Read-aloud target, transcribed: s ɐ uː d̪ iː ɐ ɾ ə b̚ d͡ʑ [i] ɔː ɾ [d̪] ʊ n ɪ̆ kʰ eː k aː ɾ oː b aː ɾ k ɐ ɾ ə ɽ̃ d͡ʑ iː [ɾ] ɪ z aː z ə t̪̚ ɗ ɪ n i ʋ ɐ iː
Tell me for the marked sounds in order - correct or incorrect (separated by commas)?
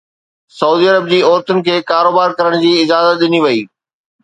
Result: incorrect, incorrect, incorrect